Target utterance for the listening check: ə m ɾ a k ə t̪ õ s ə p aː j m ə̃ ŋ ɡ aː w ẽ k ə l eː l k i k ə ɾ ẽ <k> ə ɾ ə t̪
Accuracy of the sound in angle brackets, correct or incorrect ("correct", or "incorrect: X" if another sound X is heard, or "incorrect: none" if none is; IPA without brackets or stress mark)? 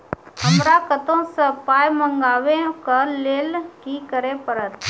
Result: incorrect: p